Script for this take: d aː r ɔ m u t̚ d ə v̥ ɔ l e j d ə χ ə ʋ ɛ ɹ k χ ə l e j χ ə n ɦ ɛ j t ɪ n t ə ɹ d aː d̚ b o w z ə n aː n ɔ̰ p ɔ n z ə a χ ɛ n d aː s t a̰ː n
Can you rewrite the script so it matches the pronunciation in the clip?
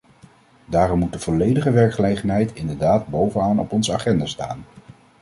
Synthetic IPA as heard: d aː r ɔ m u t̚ d ə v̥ ɔ l e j d ə χ ə ʋ ɛ ɹ k χ ə l e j χ ə n ɦ ɛ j t ɪ n d ə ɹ d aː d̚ b o w v ə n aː n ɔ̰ p ɔ n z ə a χ ɛ n d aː s t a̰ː n